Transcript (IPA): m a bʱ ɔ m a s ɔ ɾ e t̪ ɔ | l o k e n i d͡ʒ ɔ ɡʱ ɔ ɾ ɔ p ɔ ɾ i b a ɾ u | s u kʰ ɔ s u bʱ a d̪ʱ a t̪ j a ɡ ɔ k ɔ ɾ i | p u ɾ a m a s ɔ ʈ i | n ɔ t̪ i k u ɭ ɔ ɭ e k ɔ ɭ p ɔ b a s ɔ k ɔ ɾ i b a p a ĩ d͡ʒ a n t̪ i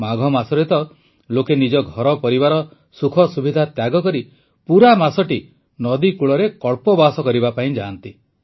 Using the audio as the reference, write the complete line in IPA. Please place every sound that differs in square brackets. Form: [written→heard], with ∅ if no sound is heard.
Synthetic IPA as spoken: m a [bʱ→ɡʱ] ɔ m a s ɔ ɾ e t̪ ɔ | l o k e n i d͡ʒ ɔ ɡʱ ɔ ɾ ɔ p ɔ ɾ i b a ɾ [u→ɔ] | s u kʰ ɔ s u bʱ [a→i] d̪ʱ a t̪ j a ɡ ɔ k ɔ ɾ i | p u ɾ a m a s ɔ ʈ i | n ɔ [t̪→d̪] i k u ɭ ɔ [ɭ→ɾ] e k ɔ ɭ p ɔ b a s ɔ k ɔ ɾ i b a p a ĩ d͡ʒ a n t̪ i